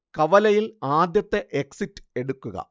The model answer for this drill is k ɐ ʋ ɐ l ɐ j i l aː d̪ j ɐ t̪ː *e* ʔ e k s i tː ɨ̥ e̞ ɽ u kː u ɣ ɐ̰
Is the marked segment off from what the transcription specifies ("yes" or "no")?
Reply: no